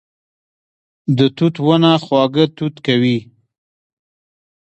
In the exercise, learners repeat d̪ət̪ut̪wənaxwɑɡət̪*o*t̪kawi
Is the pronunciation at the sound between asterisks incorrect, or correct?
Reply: incorrect